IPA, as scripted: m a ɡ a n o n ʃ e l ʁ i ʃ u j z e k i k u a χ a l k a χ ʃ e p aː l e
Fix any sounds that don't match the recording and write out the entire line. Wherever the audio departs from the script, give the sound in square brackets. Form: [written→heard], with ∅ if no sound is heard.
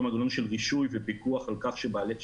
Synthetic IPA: m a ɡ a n o n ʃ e l ʁ i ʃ u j [z→v] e [k→p] i k u a χ a l k a χ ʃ e [p→b] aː l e